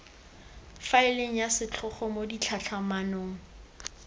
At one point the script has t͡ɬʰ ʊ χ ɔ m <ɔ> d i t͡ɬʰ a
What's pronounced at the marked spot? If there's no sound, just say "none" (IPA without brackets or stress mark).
o